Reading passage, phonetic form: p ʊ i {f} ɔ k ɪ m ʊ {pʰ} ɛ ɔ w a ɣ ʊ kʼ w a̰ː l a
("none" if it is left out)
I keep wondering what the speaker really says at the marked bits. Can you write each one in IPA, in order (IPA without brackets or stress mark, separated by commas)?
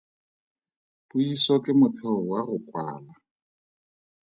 s, tʰ